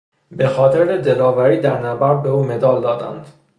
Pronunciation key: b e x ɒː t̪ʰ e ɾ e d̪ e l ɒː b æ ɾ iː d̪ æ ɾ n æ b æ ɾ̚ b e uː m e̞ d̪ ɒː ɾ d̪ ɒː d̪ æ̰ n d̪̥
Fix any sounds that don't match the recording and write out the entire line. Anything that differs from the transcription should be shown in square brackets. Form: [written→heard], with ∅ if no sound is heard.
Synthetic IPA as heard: b e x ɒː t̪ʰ e ɾ e d̪ e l ɒː [b→v] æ ɾ iː d̪ æ ɾ n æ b æ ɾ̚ b e uː m e̞ d̪ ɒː [ɾ→l] d̪ ɒː d̪ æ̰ n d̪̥